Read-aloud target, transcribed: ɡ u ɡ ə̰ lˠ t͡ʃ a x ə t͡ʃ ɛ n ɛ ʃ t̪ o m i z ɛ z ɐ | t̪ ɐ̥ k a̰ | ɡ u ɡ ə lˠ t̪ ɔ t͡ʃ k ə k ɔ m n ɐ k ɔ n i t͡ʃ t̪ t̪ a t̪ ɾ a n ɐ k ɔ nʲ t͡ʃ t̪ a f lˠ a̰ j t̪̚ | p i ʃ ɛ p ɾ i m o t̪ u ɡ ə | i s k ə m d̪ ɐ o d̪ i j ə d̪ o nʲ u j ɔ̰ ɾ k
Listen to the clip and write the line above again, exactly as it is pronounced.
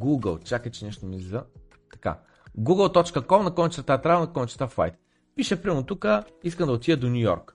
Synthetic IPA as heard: ɡ u ɡ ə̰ lˠ t͡ʃ a k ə t͡ʃ ɛ n ɛ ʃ t̪ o m i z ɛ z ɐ | t̪ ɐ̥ k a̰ | ɡ u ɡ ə lˠ t̪ ɔ t͡ʃ k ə k ɔ m n ɐ k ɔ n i t͡ʃ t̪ t̪ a t̪ ɾ a n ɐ k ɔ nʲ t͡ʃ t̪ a f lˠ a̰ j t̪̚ | p i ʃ ɛ p ɾ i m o t̪ u k ə | i s k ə m d̪ ɐ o t̪ i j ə d̪ o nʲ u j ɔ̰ ɾ k